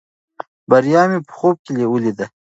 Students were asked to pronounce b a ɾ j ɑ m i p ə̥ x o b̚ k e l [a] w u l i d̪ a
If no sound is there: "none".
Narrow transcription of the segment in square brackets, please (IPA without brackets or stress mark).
e